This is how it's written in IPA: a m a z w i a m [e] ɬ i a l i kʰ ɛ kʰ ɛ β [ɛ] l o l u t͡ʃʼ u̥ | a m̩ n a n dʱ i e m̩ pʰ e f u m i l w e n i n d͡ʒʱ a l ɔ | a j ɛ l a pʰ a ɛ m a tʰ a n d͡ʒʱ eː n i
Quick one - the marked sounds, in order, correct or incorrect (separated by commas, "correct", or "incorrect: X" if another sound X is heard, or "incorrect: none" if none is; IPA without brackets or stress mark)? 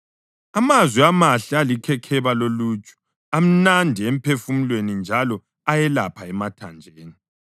incorrect: a, incorrect: a